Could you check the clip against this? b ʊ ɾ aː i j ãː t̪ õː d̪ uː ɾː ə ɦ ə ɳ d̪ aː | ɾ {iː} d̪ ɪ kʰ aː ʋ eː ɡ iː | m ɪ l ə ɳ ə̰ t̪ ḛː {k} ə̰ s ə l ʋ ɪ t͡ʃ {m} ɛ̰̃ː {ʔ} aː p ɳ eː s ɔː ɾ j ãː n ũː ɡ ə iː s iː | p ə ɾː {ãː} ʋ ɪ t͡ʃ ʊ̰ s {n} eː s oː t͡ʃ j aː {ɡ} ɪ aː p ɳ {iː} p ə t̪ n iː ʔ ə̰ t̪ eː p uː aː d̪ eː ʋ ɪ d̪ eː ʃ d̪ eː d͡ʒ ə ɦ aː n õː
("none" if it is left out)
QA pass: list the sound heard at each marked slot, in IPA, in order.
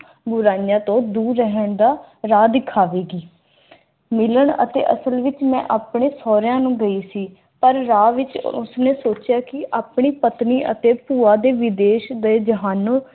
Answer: aː, ʔ, m, ʔ, aː, n, k, iː

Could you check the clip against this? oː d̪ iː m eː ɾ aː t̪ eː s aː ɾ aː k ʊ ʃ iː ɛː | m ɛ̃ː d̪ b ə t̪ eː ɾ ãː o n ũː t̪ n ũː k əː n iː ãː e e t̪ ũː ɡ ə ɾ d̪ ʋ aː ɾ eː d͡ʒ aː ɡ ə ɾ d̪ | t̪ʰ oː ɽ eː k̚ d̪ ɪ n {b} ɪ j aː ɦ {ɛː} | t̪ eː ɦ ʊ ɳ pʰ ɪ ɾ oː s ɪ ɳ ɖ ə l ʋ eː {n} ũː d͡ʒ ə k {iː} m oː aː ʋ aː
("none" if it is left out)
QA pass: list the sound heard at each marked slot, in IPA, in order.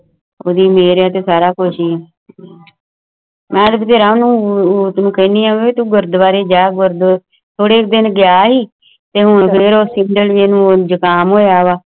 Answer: ɡ, iː, n, aː

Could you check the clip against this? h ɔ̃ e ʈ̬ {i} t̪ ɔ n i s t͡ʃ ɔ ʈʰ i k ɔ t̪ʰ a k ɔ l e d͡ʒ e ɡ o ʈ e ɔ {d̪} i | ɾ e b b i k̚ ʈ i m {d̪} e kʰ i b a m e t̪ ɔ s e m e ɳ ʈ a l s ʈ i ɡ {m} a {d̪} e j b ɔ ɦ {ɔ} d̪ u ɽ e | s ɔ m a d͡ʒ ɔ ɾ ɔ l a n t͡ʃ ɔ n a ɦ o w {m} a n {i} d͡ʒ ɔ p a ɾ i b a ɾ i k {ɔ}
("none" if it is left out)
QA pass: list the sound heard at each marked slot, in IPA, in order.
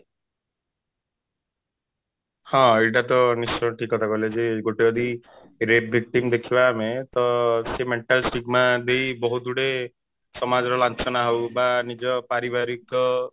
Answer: a, d̪, d̪, m, d̪, u, b, i, ɔ

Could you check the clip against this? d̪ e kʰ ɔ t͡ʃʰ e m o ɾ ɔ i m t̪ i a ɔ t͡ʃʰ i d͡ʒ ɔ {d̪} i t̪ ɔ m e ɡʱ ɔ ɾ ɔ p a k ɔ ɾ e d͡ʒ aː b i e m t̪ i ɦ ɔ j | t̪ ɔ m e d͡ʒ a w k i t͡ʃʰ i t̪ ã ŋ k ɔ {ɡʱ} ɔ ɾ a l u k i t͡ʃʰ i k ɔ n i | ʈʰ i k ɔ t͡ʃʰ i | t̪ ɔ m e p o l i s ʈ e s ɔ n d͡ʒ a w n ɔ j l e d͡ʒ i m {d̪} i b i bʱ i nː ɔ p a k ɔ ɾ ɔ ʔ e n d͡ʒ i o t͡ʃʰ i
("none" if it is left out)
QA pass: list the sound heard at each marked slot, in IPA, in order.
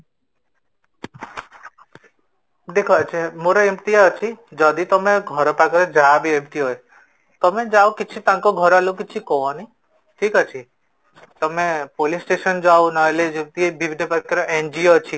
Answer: d̪, ɡʱ, t̪

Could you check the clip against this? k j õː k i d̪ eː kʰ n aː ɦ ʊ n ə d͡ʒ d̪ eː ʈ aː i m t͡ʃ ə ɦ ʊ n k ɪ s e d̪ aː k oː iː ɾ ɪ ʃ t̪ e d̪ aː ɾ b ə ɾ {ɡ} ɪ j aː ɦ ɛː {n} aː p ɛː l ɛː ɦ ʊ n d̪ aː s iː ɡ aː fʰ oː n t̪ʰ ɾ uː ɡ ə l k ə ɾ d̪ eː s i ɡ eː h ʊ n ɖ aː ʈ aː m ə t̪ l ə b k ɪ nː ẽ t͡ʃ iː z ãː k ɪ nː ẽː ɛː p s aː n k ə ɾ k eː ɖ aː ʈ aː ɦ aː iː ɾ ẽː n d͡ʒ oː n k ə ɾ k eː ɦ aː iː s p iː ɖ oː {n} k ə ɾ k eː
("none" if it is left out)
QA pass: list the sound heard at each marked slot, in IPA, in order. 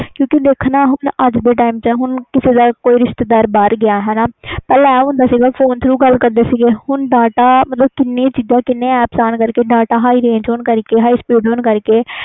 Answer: ɡ, n, n

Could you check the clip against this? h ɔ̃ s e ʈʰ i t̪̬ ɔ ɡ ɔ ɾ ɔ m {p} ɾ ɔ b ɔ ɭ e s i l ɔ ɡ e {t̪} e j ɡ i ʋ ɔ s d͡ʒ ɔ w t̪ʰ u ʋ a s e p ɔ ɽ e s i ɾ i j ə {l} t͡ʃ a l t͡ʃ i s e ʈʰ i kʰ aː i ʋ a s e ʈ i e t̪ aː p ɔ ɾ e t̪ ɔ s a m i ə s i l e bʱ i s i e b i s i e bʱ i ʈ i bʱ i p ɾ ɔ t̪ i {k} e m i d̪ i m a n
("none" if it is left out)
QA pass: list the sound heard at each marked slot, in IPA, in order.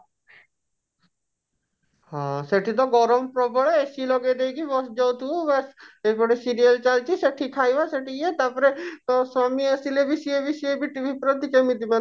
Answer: p, d̪, l, k

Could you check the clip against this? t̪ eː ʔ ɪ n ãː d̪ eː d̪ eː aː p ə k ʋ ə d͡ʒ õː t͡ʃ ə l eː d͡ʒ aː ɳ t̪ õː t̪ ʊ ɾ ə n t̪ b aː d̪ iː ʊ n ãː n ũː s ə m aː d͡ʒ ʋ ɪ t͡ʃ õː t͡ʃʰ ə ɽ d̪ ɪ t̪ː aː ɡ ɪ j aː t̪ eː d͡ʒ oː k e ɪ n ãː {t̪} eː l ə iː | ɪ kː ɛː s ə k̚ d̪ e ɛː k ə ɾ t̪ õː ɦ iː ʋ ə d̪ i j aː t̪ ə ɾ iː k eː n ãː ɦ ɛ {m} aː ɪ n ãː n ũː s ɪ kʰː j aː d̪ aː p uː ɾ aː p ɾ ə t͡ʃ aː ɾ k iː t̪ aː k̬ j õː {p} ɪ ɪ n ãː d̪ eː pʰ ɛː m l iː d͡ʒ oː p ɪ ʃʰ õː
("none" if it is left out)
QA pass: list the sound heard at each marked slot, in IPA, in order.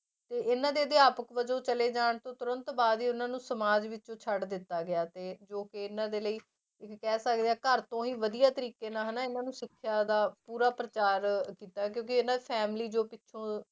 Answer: d̪, n, k

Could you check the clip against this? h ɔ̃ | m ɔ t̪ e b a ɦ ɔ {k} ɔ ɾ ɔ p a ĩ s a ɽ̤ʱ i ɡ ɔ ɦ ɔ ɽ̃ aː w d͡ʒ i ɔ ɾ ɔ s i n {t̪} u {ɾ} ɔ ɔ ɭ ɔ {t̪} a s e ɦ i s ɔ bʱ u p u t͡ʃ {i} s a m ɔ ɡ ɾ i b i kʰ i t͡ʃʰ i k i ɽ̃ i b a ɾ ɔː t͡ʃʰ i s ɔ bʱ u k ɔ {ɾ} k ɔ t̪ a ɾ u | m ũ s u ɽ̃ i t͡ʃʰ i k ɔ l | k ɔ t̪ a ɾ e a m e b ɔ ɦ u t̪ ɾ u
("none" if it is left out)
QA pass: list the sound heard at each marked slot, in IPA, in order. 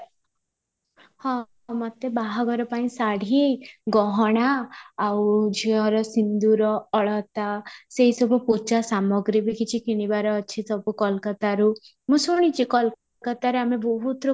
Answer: ɡ, d̪, ɾ, t̪, a, l

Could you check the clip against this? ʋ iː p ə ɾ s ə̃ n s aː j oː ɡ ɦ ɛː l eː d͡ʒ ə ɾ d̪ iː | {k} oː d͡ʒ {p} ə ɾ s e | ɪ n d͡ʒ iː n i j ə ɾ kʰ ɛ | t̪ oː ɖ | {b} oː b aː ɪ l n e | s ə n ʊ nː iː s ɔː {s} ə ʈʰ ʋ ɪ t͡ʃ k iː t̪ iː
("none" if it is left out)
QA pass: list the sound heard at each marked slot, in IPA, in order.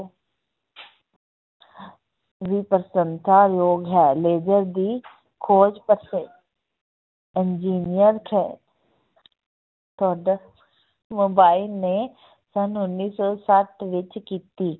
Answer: kʰ, p, m, s

